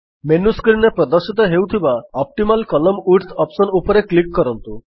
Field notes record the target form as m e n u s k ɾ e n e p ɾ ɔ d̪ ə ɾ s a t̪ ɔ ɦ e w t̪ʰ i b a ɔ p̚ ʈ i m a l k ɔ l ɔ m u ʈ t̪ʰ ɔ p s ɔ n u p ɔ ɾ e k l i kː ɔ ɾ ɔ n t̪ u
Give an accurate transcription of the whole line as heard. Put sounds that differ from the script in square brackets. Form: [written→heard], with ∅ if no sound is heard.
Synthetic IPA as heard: m e n u s k ɾ [e→i] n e p ɾ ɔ d̪ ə ɾ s [a→i] t̪ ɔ ɦ e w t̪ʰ i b a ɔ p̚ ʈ i m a l k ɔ l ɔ m u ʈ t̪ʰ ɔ p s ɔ n u p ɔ ɾ e k l i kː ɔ ɾ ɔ n t̪ u

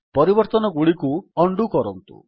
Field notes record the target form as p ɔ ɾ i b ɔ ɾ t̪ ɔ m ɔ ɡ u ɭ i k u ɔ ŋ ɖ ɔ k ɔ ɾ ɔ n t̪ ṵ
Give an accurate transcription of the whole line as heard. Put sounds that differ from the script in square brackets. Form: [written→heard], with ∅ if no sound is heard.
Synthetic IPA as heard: p ɔ ɾ i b ɔ ɾ t̪ ɔ [m→n] ɔ ɡ u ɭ i k u ɔ [ŋ→ɳ] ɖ [ɔ→u] k ɔ ɾ ɔ n t̪ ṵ

